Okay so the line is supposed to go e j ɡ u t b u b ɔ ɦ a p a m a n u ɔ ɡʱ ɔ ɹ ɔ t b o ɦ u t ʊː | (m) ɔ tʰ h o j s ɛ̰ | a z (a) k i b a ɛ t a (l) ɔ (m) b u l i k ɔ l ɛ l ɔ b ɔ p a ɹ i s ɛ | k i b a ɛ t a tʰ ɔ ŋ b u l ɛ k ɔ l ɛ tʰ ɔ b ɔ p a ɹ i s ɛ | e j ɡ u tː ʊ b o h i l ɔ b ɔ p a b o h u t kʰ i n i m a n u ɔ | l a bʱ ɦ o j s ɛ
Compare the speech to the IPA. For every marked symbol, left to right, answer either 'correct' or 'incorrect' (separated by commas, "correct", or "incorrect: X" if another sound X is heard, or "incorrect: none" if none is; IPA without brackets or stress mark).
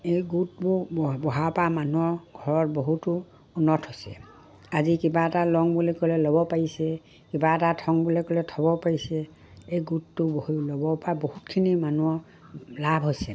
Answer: incorrect: n, incorrect: i, correct, incorrect: ŋ